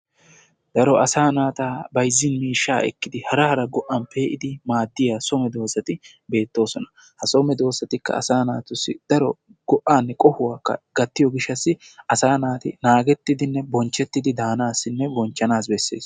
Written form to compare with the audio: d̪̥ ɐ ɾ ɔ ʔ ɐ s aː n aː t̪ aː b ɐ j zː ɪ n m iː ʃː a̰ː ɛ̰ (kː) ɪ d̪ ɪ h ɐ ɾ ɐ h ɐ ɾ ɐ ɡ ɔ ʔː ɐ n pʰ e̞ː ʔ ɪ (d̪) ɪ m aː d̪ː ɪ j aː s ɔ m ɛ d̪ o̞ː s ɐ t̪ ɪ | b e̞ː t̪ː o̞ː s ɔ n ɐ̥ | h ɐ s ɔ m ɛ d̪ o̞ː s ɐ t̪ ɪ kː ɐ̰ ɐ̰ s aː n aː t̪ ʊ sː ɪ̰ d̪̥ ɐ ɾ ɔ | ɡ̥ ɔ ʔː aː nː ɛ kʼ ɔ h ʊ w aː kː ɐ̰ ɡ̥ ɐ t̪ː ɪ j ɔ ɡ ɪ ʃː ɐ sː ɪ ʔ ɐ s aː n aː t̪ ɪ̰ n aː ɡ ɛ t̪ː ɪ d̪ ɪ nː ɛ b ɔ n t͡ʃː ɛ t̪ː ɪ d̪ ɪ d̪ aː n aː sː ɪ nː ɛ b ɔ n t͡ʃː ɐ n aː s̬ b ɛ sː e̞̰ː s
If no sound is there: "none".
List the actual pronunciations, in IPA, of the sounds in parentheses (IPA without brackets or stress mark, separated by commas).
kː, d̪